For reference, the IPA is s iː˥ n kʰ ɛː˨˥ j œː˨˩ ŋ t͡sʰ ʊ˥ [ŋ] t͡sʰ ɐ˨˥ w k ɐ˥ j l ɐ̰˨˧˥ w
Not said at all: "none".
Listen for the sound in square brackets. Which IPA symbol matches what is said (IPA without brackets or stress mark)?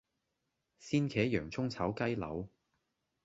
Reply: ŋ